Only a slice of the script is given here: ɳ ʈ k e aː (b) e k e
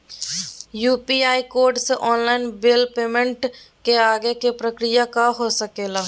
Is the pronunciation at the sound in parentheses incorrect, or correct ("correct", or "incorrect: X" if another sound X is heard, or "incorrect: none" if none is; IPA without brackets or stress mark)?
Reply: incorrect: ɡ